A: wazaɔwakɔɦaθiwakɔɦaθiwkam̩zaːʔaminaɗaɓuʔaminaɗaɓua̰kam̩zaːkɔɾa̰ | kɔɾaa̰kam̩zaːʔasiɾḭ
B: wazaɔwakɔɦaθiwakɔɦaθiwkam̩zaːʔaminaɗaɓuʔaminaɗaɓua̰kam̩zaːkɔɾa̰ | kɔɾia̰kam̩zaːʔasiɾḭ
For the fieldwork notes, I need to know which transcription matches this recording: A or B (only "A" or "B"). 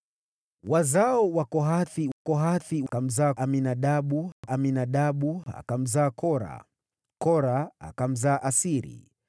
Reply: A